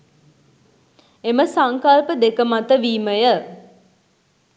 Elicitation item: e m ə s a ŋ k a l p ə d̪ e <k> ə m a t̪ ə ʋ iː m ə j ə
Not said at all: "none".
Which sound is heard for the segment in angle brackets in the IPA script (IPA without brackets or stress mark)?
k